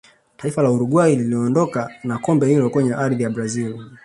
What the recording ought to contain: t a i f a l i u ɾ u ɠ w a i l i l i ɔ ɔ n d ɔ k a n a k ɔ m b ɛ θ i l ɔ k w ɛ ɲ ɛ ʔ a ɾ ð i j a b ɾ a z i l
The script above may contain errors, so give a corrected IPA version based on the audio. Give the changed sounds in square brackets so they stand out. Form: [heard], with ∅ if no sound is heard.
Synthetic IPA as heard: t a i f a l [a] u ɾ u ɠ w a i l i l i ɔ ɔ n d ɔ k a n a k ɔ m b ɛ [h] i l ɔ k w ɛ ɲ ɛ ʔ a ɾ ð i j a b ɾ a z i l